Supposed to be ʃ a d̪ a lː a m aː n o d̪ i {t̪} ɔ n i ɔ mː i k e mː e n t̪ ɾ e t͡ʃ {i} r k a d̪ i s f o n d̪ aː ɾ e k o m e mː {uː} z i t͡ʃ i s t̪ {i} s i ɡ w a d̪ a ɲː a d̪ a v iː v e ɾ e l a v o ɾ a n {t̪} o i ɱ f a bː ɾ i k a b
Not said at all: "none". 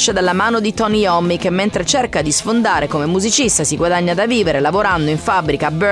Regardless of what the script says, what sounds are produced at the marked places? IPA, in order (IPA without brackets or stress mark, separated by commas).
t̪, e, u, a, d̪